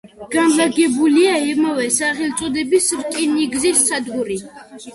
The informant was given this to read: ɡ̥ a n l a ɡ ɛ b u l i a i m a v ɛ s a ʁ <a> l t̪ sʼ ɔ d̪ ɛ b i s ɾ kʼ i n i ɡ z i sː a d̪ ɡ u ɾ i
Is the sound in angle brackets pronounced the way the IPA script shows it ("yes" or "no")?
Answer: no